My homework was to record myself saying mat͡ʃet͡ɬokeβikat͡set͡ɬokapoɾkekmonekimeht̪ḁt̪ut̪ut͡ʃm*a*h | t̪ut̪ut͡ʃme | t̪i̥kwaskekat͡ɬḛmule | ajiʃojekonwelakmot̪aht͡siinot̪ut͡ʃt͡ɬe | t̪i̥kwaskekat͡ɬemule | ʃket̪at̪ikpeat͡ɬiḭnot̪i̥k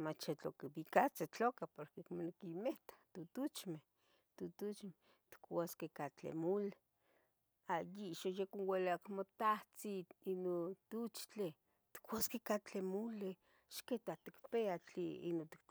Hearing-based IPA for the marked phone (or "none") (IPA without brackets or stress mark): e